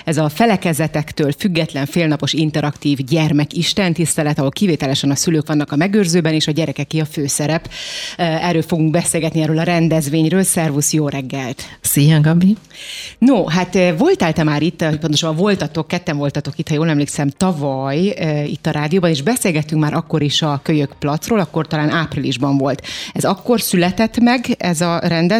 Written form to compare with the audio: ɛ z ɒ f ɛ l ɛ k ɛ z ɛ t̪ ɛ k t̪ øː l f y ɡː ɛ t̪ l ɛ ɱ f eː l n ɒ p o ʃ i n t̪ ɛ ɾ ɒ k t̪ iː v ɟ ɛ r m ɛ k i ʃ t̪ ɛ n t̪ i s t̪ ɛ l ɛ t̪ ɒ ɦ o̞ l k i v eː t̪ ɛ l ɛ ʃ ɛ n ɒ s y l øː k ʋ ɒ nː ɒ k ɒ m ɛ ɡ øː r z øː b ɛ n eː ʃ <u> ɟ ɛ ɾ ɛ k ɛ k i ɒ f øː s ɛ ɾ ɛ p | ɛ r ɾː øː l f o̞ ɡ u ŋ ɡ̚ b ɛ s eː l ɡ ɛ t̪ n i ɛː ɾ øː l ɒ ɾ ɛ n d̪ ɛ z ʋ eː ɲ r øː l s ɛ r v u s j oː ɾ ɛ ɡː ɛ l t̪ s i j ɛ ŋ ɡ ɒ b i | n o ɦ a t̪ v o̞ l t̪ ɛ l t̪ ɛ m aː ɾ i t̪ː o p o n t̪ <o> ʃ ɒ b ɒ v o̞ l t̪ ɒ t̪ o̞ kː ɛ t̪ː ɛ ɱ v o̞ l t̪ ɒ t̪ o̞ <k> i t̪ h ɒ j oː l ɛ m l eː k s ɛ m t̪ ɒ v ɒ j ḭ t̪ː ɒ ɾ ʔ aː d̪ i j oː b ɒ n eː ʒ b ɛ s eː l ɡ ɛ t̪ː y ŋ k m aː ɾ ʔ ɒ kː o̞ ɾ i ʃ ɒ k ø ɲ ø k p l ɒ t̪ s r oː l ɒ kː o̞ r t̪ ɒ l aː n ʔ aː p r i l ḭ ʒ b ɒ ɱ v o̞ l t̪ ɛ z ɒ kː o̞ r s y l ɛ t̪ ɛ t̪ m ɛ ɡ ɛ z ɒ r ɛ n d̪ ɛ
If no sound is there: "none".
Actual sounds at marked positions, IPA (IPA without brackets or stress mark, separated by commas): ɒ, o, k